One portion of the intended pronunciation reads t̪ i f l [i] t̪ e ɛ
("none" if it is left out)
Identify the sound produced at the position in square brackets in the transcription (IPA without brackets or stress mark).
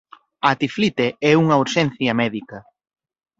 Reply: i